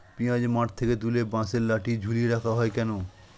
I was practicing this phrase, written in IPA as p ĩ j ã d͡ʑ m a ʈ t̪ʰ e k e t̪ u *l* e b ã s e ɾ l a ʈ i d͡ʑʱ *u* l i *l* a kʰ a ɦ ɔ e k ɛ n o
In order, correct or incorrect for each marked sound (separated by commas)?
correct, correct, incorrect